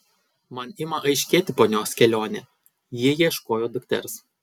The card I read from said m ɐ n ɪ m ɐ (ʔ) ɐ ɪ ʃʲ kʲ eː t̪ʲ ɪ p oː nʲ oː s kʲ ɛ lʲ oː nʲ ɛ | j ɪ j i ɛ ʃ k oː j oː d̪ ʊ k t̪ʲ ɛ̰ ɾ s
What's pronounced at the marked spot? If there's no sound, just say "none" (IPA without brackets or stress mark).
ʔ